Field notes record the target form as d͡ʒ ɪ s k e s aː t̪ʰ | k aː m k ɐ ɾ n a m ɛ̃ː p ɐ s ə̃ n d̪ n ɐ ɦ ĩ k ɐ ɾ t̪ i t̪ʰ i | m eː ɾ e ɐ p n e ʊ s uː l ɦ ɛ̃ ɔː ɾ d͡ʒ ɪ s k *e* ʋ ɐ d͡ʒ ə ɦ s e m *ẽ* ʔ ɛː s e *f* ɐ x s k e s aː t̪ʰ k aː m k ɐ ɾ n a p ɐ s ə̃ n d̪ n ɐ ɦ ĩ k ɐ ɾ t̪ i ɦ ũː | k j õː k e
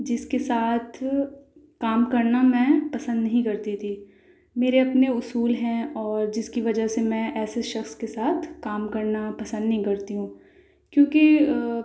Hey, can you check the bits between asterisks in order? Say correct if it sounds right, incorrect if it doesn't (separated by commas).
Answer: incorrect, incorrect, incorrect